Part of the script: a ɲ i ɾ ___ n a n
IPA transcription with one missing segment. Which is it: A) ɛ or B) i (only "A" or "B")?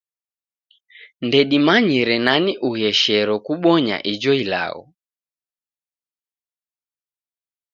A